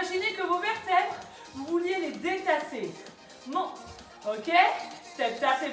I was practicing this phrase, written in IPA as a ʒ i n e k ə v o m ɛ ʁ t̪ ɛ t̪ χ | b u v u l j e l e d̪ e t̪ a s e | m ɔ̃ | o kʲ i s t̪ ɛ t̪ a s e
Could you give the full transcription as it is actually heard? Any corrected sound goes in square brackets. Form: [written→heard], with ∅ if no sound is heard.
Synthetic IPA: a ʒ i n e k ə v o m ɛ ʁ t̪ ɛ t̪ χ | [b→v] u v u l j e l e d̪ e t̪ a s e | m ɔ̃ | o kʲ [i→e] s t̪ ɛ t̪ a s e